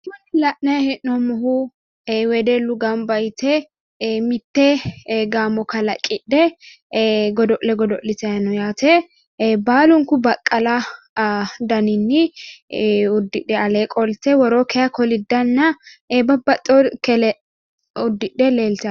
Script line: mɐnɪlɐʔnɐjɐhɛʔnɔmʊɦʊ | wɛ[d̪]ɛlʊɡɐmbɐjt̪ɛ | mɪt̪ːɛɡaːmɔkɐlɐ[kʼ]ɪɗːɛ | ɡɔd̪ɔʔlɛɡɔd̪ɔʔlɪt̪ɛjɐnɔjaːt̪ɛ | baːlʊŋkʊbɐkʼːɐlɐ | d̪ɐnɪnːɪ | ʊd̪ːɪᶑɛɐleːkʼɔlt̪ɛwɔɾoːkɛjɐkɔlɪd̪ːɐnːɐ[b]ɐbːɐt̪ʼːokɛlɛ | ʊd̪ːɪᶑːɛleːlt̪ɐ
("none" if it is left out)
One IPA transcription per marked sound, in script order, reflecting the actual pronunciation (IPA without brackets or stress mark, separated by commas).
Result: d̪, kʼ, b